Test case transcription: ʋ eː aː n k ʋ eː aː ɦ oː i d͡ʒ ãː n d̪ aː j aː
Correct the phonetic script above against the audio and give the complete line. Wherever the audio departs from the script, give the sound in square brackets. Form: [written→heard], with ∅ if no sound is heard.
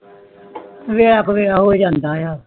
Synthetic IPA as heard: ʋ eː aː [n→∅] k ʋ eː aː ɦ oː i d͡ʒ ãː n d̪ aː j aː